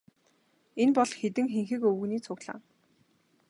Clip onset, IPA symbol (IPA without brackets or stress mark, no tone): e